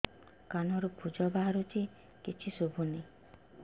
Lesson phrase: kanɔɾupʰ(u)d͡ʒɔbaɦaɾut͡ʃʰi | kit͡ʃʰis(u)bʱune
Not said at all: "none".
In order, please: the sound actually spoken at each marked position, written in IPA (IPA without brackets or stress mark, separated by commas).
u, o